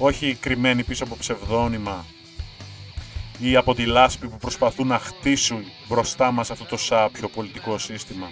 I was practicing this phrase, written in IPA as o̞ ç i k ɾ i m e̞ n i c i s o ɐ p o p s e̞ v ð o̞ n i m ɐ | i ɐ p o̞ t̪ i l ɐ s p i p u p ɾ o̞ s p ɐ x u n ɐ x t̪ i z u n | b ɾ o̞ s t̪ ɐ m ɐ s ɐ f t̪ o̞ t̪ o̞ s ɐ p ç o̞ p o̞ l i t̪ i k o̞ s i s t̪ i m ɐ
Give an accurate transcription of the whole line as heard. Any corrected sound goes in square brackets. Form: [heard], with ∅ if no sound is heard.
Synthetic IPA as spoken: o̞ ç i k ɾ i m e̞ n i [p] i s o ɐ p o p s e̞ v ð o̞ n i m ɐ | i ɐ p o̞ t̪ i l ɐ s p i p u p ɾ o̞ s p ɐ [θ] u n ɐ x t̪ i [s] u n | b ɾ o̞ s t̪ ɐ m ɐ s ɐ f t̪ o̞ t̪ o̞ s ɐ p ç o̞ p o̞ l i t̪ i k o̞ s i s t̪ i m ɐ